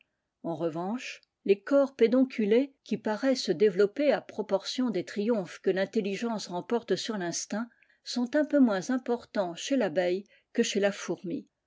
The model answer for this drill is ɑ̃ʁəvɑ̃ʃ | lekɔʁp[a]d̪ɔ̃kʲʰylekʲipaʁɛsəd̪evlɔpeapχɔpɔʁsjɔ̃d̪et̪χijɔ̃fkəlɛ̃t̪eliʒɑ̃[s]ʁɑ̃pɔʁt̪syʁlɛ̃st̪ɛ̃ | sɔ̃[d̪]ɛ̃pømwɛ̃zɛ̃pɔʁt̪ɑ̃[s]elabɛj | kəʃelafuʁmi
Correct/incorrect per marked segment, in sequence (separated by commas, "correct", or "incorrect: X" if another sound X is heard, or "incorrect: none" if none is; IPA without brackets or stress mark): incorrect: e, correct, incorrect: t̪, incorrect: ʃ